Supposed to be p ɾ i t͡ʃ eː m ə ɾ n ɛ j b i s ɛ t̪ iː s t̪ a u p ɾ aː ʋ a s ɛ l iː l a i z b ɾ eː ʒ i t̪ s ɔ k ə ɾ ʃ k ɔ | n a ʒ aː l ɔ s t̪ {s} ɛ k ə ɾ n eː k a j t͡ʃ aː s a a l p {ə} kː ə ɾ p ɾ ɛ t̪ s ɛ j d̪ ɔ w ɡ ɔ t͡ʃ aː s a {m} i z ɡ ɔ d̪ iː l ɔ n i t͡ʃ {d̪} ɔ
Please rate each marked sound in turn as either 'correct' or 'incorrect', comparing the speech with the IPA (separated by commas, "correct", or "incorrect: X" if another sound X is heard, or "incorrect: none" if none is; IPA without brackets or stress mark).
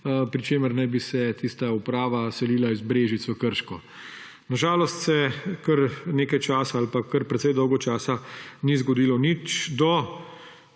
correct, incorrect: a, incorrect: n, correct